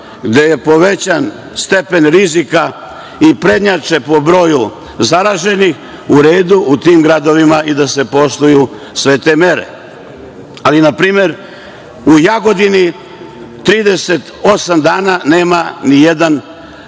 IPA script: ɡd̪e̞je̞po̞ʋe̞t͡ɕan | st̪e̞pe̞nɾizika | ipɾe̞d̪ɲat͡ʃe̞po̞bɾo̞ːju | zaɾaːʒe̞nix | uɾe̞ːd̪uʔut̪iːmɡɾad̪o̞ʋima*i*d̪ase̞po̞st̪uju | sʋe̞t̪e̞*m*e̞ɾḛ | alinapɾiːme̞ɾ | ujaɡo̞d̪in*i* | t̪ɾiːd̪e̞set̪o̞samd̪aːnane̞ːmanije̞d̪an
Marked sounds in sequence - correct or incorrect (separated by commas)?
correct, correct, correct